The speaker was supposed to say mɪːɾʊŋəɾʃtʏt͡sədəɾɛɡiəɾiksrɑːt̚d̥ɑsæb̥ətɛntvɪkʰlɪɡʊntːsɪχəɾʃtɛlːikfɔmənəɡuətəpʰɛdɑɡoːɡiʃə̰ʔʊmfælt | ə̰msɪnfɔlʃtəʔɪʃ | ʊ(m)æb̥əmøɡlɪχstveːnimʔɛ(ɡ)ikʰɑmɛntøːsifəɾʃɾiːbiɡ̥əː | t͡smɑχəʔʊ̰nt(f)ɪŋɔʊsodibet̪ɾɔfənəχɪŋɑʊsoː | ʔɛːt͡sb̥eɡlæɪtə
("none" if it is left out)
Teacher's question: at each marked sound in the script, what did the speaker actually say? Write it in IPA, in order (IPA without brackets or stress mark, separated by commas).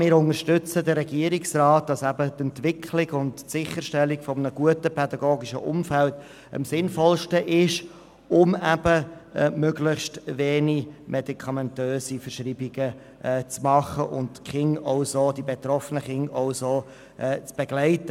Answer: m, d, χ